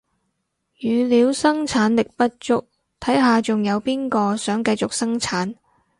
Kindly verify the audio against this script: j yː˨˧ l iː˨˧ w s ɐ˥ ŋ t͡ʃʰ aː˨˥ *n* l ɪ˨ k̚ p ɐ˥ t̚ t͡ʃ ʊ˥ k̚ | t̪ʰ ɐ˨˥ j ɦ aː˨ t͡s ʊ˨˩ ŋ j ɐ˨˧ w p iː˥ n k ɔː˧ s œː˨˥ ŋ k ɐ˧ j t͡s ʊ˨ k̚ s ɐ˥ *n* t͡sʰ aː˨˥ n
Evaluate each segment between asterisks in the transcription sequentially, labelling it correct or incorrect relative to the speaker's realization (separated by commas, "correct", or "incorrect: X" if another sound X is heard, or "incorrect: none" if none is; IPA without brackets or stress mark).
correct, incorrect: ŋ